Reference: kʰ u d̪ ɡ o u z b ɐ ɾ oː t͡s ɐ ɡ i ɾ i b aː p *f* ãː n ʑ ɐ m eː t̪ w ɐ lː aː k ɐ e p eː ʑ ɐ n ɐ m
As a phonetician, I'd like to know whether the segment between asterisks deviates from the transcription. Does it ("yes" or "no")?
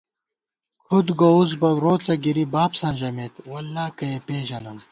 yes